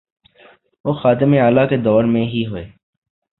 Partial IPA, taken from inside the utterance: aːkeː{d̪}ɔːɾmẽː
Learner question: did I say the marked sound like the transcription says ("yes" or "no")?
yes